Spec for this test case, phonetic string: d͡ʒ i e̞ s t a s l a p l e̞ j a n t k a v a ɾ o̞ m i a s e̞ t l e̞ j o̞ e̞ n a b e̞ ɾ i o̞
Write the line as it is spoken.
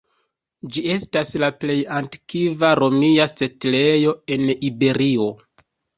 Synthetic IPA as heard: d͡ʒ i e̞ s t a s l a p l e̞ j a n t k i v a ɾ o̞ m i a s e̞ t l e̞ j o̞ e̞ n i b e̞ ɾ i o̞